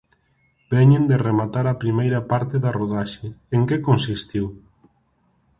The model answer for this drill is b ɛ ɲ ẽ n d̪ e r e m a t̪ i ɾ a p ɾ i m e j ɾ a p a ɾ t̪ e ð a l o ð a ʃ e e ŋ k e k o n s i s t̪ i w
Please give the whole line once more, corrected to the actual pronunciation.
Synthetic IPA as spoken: b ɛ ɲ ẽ n d̪ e r e m a t̪ a ɾ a p ɾ i m e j ɾ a p a ɾ t̪ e ð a r o ð a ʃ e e ŋ k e k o n s i s t̪ i w